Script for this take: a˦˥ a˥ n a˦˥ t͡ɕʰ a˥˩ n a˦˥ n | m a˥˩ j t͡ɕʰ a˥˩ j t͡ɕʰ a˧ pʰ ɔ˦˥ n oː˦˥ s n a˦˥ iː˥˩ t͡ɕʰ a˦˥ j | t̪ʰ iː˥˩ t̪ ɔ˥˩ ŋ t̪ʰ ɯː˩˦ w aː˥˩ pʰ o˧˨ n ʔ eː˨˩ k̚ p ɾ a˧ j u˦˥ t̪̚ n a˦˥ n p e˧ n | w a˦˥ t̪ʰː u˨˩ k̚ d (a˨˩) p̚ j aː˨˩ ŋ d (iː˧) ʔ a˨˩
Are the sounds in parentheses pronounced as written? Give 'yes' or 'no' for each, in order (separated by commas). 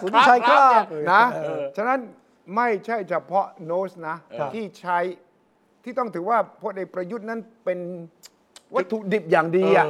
no, yes